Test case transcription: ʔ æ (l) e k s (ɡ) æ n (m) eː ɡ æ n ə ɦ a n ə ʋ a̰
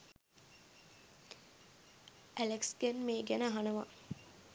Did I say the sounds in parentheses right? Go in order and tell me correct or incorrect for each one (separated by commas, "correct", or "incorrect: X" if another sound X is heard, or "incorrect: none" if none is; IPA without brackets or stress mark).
correct, correct, correct